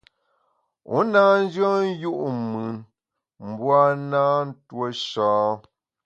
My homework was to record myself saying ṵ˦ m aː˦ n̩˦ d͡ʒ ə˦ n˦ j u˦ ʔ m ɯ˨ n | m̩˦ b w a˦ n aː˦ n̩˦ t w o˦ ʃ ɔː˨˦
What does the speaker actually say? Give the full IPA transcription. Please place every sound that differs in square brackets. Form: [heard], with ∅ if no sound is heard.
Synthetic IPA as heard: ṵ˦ [n] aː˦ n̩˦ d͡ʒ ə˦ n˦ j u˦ ʔ m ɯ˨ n | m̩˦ b w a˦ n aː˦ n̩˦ t w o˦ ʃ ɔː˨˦